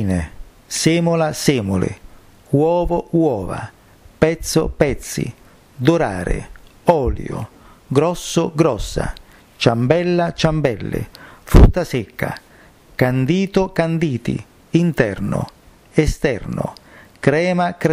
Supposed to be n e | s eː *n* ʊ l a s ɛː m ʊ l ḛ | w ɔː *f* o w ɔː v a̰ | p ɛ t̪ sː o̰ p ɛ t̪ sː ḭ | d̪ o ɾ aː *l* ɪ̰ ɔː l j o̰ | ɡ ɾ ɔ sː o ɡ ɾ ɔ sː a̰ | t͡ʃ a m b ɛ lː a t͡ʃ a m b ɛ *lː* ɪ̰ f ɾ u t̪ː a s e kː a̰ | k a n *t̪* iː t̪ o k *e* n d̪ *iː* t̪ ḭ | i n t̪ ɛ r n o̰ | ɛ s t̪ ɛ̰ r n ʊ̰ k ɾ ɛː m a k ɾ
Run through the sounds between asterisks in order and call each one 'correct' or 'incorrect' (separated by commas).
incorrect, incorrect, incorrect, correct, incorrect, incorrect, correct